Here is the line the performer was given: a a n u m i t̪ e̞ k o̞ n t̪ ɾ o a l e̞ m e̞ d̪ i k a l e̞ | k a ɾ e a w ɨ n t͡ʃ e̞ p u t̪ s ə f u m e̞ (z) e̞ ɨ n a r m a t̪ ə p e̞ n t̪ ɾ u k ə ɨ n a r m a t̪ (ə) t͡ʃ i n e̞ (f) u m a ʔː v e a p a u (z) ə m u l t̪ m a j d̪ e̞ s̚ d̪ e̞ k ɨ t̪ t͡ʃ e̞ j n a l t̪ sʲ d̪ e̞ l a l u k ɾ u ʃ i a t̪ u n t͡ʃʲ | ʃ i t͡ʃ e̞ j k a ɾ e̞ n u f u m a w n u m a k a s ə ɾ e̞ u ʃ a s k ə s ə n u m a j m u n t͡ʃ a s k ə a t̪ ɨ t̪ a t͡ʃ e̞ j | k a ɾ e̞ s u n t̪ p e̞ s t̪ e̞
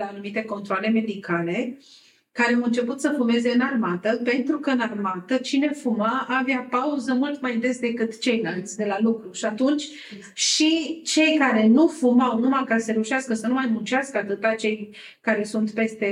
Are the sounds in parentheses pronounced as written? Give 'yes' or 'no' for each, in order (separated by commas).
yes, yes, yes, yes